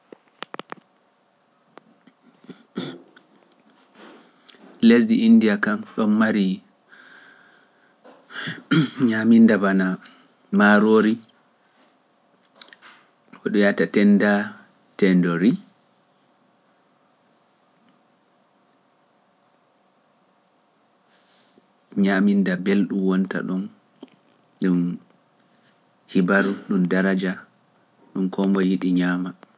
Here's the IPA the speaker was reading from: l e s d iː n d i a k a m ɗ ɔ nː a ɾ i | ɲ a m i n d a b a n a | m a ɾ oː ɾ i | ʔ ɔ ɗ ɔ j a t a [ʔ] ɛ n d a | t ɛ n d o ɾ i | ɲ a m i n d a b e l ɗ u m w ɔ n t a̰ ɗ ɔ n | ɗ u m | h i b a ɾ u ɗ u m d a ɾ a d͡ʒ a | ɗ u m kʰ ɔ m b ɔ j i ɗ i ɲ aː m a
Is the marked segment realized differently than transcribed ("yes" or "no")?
yes